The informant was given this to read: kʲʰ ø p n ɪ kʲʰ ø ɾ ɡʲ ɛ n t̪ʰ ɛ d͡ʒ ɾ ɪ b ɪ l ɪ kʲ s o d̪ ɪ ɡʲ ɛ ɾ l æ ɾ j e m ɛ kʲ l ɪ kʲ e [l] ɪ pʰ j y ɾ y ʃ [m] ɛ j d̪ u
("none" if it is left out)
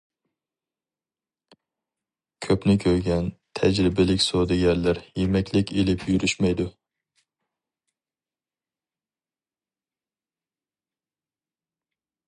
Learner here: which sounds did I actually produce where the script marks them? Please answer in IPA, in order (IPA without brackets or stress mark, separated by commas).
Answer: l, m